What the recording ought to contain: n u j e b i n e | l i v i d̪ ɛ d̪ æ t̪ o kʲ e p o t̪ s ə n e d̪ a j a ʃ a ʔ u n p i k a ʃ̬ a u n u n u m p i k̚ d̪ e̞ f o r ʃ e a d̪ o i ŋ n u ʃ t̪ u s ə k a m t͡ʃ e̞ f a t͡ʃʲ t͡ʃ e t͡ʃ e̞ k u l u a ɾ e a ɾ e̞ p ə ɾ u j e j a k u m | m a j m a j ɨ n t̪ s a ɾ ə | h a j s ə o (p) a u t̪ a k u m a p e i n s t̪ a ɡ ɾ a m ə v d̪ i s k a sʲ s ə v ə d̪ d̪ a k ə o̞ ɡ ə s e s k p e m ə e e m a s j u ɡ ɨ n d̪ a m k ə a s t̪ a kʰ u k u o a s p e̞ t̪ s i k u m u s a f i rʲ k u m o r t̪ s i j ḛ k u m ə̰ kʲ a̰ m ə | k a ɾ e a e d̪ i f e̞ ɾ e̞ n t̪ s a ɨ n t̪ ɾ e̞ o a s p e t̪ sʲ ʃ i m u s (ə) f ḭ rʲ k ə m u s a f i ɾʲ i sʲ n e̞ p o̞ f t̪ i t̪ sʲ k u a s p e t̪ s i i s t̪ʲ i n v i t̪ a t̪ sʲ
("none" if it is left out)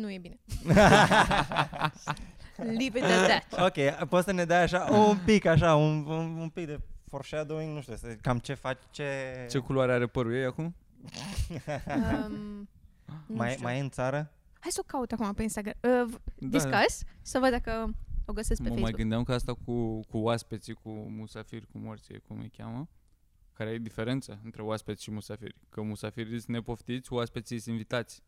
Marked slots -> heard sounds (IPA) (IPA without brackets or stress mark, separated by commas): k, a